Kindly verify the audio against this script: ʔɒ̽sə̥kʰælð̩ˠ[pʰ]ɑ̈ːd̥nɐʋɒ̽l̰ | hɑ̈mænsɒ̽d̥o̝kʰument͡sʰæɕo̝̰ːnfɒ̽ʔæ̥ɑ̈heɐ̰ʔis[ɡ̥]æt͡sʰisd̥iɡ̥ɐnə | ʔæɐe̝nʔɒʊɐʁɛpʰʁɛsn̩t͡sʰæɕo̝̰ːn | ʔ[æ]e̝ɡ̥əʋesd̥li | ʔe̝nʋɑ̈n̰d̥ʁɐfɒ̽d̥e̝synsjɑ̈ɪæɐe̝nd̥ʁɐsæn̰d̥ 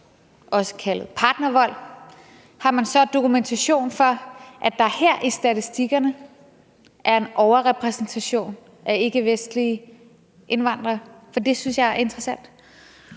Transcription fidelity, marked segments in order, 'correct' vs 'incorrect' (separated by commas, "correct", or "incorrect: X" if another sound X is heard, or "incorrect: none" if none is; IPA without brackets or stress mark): correct, incorrect: d̥, correct